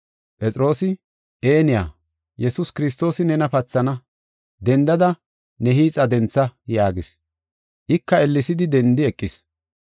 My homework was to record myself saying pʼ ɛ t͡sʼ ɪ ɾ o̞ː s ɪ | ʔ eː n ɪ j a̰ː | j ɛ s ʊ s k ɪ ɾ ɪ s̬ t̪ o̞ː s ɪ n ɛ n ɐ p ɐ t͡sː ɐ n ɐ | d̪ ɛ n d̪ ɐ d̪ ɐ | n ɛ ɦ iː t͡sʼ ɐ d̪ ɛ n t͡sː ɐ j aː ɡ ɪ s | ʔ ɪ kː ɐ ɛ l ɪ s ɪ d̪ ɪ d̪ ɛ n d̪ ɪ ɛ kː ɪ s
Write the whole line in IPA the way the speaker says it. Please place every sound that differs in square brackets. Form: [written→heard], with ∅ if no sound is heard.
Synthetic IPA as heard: pʼ ɛ t͡sʼ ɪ ɾ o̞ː s ɪ | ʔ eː n ɪ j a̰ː | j ɛ s ʊ s k ɪ ɾ ɪ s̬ t̪ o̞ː s ɪ n ɛ n ɐ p ɐ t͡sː ɐ n ɐ | d̪ ɛ n d̪ ɐ d̪ ɐ | n ɛ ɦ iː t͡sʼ ɐ d̪ ɛ n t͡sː ɐ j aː ɡ ɪ s | ʔ ɪ kː ɐ ɛ [l→lː] ɪ s ɪ d̪ ɪ d̪ ɛ n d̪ ɪ ɛ [kː→kʼː] ɪ s